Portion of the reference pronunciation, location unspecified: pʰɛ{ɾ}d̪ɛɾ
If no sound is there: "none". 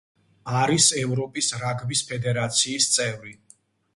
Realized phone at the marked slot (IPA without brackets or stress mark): none